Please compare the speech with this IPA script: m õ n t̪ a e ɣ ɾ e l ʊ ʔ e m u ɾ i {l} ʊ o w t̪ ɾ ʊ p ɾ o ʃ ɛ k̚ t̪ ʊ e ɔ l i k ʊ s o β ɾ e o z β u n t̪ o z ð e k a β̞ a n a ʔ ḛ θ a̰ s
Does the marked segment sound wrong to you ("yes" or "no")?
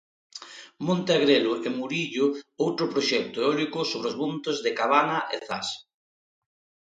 yes